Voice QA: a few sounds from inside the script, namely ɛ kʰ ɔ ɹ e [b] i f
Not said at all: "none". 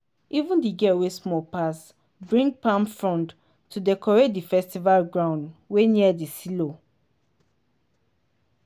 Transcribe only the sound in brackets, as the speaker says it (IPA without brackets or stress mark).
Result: d